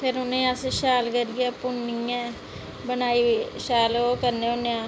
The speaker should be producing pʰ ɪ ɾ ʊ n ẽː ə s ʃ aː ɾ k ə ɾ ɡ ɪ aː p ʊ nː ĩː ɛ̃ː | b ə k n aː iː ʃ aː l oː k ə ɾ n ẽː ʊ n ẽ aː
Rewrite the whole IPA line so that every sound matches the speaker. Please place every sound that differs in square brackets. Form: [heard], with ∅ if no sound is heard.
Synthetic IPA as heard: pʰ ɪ ɾ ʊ n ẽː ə s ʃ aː [l] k ə ɾ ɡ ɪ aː p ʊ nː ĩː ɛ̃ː | b ə [∅] n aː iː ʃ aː l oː k ə ɾ n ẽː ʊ n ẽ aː